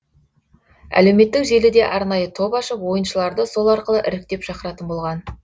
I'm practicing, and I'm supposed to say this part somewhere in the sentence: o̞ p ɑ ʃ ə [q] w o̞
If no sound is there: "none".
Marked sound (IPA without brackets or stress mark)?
p